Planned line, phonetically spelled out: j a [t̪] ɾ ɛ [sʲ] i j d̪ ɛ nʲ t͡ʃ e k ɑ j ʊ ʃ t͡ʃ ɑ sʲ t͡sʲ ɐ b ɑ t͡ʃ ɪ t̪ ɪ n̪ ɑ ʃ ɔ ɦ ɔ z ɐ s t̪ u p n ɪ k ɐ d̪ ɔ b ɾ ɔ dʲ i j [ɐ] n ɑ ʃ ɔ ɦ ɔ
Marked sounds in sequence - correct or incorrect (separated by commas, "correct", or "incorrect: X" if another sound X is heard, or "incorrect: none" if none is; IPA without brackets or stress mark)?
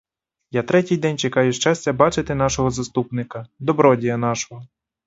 correct, incorrect: tʲ, correct